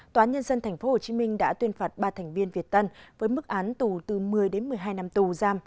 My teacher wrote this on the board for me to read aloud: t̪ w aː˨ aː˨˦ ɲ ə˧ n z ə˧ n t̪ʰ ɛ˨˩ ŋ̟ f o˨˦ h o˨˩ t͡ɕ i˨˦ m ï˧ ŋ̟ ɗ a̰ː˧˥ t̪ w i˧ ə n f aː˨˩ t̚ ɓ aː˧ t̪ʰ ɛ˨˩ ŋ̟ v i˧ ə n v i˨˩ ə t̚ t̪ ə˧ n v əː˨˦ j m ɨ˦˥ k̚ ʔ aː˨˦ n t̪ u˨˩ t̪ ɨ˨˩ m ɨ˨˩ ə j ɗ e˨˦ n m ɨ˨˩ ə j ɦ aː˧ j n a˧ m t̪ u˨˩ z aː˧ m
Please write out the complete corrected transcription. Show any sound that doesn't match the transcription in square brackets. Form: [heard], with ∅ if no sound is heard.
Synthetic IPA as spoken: t̪ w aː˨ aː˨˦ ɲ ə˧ n z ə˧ n t̪ʰ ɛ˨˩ ŋ̟ f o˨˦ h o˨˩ t͡ɕ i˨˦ m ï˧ ŋ̟ ɗ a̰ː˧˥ t̪ w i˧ ə n f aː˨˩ t̚ ɓ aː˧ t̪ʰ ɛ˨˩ ŋ̟ v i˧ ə n v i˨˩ ə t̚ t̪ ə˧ n v əː˨˦ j m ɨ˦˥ k̚ ʔ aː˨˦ n t̪ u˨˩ t̪ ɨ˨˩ m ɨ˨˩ ə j ɗ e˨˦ n m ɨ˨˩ ə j ɦ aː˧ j n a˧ m t̪ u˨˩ z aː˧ m